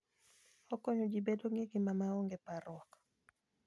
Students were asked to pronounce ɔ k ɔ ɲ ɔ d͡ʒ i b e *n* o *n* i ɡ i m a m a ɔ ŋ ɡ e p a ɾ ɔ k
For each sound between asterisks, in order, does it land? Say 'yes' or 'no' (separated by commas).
no, no